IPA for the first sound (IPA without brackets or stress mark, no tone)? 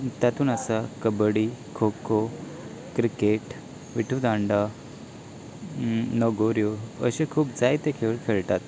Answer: t̪